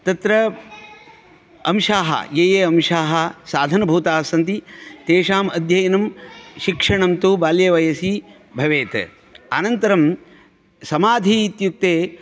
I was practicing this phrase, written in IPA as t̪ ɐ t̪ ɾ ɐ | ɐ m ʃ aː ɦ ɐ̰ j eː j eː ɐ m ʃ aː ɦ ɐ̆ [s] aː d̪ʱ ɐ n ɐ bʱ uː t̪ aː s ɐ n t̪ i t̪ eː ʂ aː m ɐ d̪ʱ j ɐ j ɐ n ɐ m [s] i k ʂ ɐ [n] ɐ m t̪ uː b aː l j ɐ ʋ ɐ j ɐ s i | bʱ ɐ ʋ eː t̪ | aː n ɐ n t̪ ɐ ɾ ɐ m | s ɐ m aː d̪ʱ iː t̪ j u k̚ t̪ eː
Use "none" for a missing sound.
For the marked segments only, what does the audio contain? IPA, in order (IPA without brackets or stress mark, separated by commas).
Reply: s, ʃ, ɳ